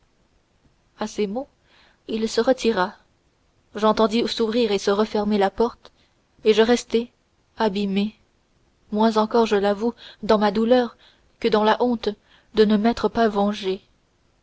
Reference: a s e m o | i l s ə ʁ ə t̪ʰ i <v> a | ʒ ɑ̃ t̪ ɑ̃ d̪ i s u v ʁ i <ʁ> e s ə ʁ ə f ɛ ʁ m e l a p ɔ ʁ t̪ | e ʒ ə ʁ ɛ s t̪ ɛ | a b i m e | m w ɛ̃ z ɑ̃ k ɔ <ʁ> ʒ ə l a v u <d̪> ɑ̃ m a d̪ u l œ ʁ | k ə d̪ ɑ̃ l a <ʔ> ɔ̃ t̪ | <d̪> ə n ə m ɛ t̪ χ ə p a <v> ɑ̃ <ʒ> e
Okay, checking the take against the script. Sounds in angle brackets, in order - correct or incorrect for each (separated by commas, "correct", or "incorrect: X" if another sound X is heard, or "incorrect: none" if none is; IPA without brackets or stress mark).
incorrect: ʁ, correct, correct, correct, correct, correct, correct, correct